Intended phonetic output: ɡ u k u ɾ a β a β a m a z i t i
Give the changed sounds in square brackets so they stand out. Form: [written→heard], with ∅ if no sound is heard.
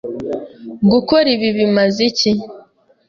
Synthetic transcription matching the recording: ɡ u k [u→o] ɾ [a→i] β [a→i] β [a→i] m a z i [t→c] i